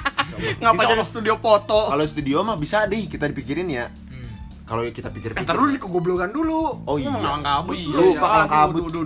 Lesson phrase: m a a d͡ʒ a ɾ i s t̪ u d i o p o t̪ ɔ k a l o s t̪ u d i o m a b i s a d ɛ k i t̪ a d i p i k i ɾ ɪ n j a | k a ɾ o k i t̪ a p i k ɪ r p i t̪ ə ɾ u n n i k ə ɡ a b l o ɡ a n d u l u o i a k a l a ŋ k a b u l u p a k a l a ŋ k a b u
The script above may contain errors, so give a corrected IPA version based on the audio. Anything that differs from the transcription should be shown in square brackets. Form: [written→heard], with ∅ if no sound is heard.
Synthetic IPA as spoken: [m→ŋ] a a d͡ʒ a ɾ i s t̪ u d i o p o t̪ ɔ k a l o s t̪ u d i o m a b i s a d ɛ k i t̪ a d i p i k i ɾ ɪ n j a | k a [ɾ→l] o k i t̪ a p i k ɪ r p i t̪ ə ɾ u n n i k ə ɡ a b l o ɡ a n d u l u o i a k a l a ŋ k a b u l u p a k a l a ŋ k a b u